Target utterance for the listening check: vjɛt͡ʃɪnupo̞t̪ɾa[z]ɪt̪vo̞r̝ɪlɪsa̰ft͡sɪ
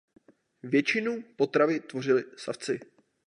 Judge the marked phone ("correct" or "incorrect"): incorrect